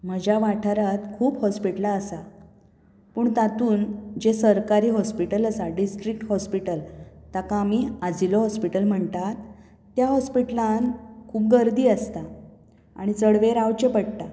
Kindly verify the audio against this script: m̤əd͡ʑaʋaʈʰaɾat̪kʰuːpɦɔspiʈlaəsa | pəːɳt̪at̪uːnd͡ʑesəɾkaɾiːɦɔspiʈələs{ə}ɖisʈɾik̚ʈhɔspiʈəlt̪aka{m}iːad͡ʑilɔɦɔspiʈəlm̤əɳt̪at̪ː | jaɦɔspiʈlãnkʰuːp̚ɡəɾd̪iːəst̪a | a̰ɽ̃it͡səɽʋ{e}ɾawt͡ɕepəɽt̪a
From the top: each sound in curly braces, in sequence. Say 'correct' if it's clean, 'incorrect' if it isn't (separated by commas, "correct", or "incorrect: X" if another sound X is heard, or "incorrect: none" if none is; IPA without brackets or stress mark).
incorrect: a, correct, correct